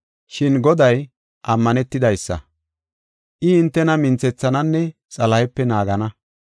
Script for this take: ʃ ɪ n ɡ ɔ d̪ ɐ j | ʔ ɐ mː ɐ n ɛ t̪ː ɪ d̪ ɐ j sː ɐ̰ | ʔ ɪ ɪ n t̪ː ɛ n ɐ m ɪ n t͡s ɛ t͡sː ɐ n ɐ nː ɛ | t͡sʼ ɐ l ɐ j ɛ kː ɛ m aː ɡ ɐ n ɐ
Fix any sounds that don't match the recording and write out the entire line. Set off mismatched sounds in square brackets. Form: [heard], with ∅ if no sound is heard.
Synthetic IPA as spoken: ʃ ɪ n ɡ ɔ d̪ ɐ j | ʔ ɐ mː ɐ n ɛ t̪ː ɪ d̪ ɐ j sː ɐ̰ | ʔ ɪ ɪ n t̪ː ɛ n ɐ m ɪ n t͡s ɛ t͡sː ɐ n ɐ nː ɛ | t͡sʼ ɐ l ɐ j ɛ [pː] ɛ [n] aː ɡ ɐ n ɐ